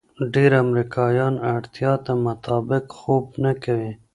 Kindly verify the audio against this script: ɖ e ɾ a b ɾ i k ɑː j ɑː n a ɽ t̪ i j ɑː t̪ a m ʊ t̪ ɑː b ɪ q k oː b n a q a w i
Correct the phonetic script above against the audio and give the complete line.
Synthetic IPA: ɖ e ɾ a m ɾ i k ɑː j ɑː n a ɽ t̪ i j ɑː t̪ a m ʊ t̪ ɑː b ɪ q x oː b n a k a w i